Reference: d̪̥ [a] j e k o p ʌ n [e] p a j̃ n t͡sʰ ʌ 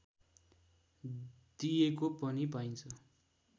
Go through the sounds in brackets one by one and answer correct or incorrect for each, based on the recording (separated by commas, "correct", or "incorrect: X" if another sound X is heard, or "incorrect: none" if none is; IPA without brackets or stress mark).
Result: incorrect: i, incorrect: i